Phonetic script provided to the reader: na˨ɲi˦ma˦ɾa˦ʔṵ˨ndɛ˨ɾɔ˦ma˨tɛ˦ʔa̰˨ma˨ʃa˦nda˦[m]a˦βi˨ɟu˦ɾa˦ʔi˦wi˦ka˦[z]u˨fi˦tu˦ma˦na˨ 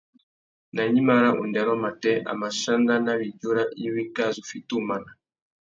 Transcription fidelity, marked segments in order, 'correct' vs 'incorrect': incorrect: n, correct

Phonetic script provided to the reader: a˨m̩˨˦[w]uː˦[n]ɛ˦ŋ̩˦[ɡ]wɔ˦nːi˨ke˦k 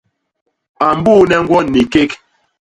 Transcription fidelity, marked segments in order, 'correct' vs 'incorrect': incorrect: b, correct, correct

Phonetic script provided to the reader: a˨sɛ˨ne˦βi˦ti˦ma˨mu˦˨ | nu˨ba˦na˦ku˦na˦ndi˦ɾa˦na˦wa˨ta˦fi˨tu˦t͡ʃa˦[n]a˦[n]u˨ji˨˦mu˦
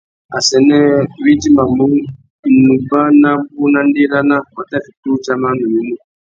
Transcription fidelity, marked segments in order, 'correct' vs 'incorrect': incorrect: m, correct

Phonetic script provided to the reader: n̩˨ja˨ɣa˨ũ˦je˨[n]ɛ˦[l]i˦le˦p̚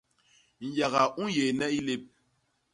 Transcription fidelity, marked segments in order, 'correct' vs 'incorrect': correct, incorrect: none

